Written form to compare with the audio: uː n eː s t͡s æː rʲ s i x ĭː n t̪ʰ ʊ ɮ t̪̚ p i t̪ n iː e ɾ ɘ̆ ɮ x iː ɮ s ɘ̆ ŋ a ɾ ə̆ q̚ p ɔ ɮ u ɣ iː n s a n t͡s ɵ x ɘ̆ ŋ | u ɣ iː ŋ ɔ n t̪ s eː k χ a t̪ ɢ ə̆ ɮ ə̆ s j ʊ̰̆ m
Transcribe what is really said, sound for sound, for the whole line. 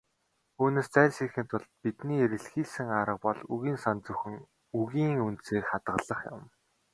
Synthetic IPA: uː n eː s t͡s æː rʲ s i x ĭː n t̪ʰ ʊ ɮ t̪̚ p i t̪ n iː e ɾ ɘ̆ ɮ x iː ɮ s ɘ̆ ŋ a ɾ ə̆ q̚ p ɔ ɮ u ɣ iː n s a n t͡s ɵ x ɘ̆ ŋ | u ɣ iː ŋ u n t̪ s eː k χ a t̪ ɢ ə̆ ɮ ə̆ χ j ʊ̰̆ m